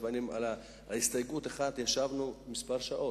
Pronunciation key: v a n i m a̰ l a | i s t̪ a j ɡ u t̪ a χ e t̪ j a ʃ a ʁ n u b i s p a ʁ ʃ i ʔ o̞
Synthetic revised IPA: v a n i m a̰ l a | i s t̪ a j ɡ u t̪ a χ a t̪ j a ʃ a v n u m i s p a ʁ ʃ a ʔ o̞